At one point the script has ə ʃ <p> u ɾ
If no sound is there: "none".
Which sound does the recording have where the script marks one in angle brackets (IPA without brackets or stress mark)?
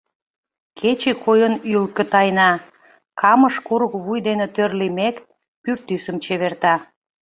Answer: k